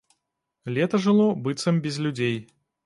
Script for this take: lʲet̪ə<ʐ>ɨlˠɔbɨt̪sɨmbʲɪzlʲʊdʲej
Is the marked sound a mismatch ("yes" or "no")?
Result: no